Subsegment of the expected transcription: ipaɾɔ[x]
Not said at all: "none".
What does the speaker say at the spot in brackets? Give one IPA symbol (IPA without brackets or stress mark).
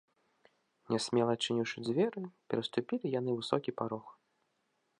x